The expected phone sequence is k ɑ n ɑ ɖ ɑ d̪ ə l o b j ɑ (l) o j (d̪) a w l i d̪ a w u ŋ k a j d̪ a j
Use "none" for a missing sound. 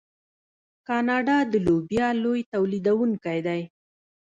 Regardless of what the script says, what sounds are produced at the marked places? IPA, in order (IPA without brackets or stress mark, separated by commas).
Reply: l, t̪